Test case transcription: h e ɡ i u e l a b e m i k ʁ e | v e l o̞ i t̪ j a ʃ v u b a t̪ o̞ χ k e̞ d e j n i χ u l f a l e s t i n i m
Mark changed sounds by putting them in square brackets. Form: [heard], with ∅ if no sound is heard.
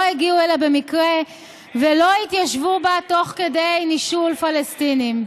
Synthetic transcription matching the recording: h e ɡ i u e l a b e m i k ʁ e | v e l o̞ i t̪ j a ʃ v u b a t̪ o̞ χ k e̞ d e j n i [ʃ] u l f a l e s t i n i m